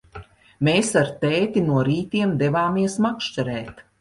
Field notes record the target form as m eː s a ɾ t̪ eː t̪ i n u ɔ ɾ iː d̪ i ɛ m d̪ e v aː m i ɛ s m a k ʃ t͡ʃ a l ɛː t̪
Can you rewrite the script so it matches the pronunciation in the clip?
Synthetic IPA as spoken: m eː s a ɾ t̪ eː t̪ i n u ɔ ɾ iː t̪ i ɛ m d̪ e v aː m i ɛ s m a k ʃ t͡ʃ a ɾ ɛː t̪